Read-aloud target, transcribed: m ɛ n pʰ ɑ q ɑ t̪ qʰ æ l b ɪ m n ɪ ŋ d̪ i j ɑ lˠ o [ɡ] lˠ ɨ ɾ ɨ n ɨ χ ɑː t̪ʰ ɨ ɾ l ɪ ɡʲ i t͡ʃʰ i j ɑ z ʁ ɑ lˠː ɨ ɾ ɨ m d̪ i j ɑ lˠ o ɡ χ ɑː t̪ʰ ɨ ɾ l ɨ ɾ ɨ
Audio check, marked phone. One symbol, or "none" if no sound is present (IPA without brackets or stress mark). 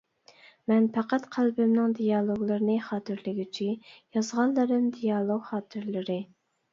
ɡ